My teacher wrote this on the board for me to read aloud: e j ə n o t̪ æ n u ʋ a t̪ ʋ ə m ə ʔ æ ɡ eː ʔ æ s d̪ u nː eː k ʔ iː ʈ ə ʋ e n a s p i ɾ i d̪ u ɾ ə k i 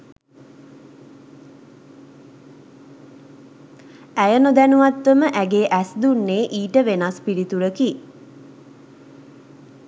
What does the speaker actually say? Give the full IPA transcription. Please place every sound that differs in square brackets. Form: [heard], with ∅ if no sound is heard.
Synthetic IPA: [æ] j ə n o [d̪] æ n u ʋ a t̪ ʋ ə m ə ʔ æ ɡ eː ʔ æ s d̪ u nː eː [∅] ʔ iː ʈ ə ʋ e n a s p i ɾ i [t̪] u ɾ ə k i